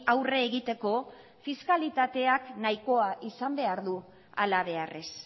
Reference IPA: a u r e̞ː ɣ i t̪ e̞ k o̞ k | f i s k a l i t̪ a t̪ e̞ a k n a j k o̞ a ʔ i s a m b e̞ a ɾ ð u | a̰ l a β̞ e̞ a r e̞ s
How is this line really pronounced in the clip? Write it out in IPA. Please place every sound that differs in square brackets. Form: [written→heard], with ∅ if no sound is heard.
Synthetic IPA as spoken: a [u→w] r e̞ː ɣ i t̪ e̞ k o̞ [k→∅] | f i s k a l i t̪ a t̪ e̞ a k n a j k o̞ a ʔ i s a m b e̞ a ɾ ð u | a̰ l a β̞ e̞ a r e̞ s

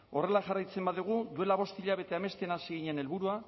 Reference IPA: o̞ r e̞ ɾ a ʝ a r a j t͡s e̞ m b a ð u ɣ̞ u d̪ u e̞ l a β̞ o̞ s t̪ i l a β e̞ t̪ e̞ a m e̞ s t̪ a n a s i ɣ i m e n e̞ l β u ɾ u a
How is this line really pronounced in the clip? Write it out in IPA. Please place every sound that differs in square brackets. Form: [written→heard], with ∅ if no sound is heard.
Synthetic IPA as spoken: o̞ r e̞ [ɾ→l] a ʝ a r a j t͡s e̞ m b a ð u ɣ̞ u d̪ u e̞ l a β̞ o̞ s t̪ i [l→ʎ] a β e̞ t̪ e̞ a m e̞ s t̪ [a→e] n a s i ɣ i [m→ɲ] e n e̞ l β u ɾ u a

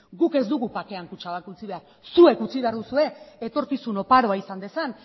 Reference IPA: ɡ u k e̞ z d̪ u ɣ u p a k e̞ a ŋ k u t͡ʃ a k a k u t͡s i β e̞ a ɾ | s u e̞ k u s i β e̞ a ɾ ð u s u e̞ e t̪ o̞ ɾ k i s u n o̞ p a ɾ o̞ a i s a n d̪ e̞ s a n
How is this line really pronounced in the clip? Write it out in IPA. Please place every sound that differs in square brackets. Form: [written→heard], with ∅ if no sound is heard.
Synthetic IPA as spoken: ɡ u k e̞ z d̪ u ɣ u p a k e̞ a ŋ k u t͡ʃ a [k→∅] a k u t͡s i β e̞ a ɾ | s u e̞ k u [s→t͡s] i β e̞ a ɾ ð u s u e̞ e t̪ o̞ ɾ k i s u n o̞ p a ɾ o̞ a i s a n d̪ e̞ s a n

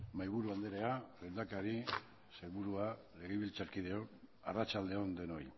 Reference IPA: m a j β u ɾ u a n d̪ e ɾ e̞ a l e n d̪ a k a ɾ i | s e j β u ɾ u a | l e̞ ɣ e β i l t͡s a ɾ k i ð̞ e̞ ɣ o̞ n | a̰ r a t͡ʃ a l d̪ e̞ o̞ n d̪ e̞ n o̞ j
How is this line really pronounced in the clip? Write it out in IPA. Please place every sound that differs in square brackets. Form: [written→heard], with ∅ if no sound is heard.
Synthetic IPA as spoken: m a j β u ɾ u a n d̪ e ɾ e̞ a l e n d̪ a k a ɾ i | s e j β u ɾ u a | l e̞ ɣ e β i l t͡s a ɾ k i ð̞ e̞ [ɣ→∅] o̞ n | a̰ r a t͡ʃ a l d̪ e̞ o̞ n d̪ e̞ n o̞ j

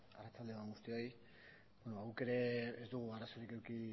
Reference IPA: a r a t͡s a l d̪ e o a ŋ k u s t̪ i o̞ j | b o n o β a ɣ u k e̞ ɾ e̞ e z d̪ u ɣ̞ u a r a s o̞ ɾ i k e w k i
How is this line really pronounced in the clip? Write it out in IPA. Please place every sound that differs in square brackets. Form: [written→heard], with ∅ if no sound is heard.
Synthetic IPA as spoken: a r a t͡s a l d̪ e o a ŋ [k→ɡ] u s t̪ i o̞ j | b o n o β a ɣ u k e̞ ɾ e̞ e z d̪ u ɣ̞ u a r a s o̞ ɾ i k e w k i

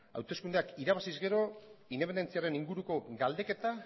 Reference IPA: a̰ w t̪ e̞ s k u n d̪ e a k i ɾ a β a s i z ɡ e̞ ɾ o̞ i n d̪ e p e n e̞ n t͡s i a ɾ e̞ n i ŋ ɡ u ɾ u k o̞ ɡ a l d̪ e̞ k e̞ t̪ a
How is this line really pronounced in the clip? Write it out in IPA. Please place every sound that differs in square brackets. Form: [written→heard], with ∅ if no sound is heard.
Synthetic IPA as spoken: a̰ w t̪ e̞ s k u n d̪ e a k i ɾ a β a s i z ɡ e̞ ɾ o̞ i n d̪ e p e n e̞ n t͡s i a ɾ e̞ n i ŋ ɡ u ɾ u k o̞ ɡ a l d̪ e̞ k e̞ t̪ a

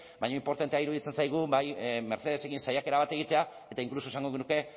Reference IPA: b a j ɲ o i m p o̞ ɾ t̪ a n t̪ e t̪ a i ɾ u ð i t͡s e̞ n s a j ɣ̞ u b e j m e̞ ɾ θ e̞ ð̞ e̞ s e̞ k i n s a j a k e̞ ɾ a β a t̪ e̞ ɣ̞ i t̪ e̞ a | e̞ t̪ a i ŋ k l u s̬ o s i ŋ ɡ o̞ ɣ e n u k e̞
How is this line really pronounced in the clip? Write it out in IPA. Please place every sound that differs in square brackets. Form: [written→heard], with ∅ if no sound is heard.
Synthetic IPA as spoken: b a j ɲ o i m p o̞ ɾ t̪ a n t̪ e [t̪→∅] a i ɾ u ð i t͡s e̞ n s a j ɣ̞ u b [e→a] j m e̞ ɾ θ e̞ ð̞ e̞ s e̞ k i n s a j a k e̞ ɾ a β a t̪ e̞ ɣ̞ i t̪ e̞ a | e̞ t̪ a i ŋ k l u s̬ o s [i→a] ŋ ɡ o̞ ɣ e n u k e̞

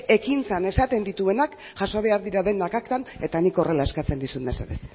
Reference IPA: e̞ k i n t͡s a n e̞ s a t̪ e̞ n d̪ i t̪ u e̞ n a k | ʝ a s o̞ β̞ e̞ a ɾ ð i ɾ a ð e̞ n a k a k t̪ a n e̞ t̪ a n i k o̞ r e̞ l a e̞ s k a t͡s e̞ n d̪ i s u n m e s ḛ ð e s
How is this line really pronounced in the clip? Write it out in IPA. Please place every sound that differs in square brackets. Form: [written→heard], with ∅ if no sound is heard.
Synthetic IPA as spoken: e̞ k i n t͡s a n e̞ s a t̪ e̞ n d̪ i t̪ u e̞ n a k | ʝ a s o̞ β̞ e̞ a ɾ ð i ɾ a ð e̞ n a k a k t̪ a n e̞ t̪ a n i k o̞ r e̞ l a e̞ s k a t͡s e̞ n d̪ i s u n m e s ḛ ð e s

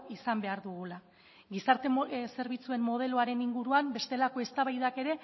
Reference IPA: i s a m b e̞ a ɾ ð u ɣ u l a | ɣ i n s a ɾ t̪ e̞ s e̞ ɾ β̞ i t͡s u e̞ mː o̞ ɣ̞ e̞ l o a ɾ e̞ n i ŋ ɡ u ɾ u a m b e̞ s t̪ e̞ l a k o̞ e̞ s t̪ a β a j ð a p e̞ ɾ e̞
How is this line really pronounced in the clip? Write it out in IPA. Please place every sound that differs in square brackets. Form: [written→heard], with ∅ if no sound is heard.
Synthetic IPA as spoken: i s a m b e̞ a ɾ ð u ɣ u l a | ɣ i [n→∅] s a ɾ t̪ e̞ s e̞ ɾ β̞ i t͡s u e̞ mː o̞ [ɣ̞→ð̞] e̞ l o a ɾ e̞ n i ŋ ɡ u ɾ u a m b e̞ s t̪ e̞ l a k o̞ e̞ s t̪ a β a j ð a [p→k] e̞ ɾ e̞

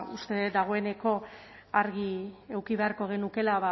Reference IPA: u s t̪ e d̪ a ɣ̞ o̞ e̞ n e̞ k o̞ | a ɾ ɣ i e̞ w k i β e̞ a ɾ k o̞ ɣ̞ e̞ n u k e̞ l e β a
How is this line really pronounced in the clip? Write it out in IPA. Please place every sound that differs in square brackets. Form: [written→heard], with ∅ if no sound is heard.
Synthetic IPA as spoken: u s t̪ e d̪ a ɣ̞ o̞ e̞ n e̞ k o̞ | a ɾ ɣ i e̞ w k i β e̞ a ɾ k o̞ ɣ̞ e̞ n u k e̞ l [e→a] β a

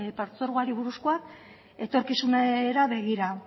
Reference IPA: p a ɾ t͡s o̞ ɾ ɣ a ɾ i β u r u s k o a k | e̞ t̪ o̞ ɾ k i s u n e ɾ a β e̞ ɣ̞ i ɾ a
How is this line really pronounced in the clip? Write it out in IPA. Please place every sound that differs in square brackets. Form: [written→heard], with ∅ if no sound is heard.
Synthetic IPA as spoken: p a ɾ t͡s o̞ ɾ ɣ a ɾ i β u [r→ɾ] u s k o a k | e̞ t̪ o̞ ɾ k i s u n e ɾ a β e̞ ɣ̞ i ɾ a

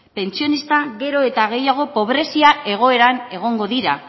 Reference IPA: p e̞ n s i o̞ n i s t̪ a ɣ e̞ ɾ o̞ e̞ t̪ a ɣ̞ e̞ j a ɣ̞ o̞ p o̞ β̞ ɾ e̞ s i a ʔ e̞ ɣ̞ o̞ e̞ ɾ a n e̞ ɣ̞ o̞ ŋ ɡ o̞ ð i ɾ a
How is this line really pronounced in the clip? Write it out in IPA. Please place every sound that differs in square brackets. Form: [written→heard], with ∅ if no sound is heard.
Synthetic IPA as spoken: p e̞ n [s→t͡s] i o̞ n i s t̪ a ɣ e̞ ɾ o̞ e̞ t̪ a ɣ̞ e̞ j a ɣ̞ o̞ p o̞ β̞ ɾ e̞ s i a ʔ e̞ ɣ̞ o̞ e̞ ɾ a n e̞ ɣ̞ o̞ ŋ ɡ o̞ ð i ɾ a

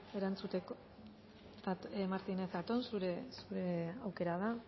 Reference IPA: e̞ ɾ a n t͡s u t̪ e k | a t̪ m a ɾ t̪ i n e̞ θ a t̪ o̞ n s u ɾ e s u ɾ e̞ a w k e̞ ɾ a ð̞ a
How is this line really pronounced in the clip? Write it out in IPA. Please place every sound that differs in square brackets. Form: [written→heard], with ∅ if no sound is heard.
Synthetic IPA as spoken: e̞ ɾ a n t͡s u t̪ e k | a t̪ m a ɾ t̪ i n e̞ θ a t̪ o̞ n s u ɾ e s u ɾ e̞ a w k e̞ ɾ a ð̞ a

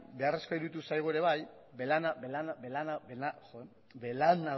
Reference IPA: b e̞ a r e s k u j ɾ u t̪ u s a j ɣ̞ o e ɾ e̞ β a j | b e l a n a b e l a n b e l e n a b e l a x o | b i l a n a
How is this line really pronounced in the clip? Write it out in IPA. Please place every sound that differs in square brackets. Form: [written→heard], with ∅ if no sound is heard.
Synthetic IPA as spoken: b e̞ a r e s k [u→o] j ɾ u t̪ u s a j ɣ̞ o e ɾ e̞ β a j | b e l a n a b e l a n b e l [e→a] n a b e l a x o | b [i→e] l a n a

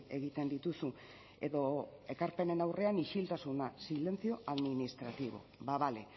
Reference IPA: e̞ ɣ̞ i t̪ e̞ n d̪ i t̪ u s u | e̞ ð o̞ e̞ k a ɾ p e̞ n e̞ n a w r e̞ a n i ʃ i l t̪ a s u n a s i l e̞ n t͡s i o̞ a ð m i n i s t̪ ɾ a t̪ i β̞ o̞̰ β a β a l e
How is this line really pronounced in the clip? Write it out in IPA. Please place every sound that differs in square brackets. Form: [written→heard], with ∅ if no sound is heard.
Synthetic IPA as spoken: e̞ ɣ̞ i t̪ e̞ n d̪ i t̪ u s u | e̞ ð o̞ e̞ k a ɾ p e̞ n e̞ n a w r e̞ a n i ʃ i l t̪ a s u n a s i l e̞ n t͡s i o̞ a ð m i n i s t̪ ɾ a t̪ i β̞ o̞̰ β a β a l e

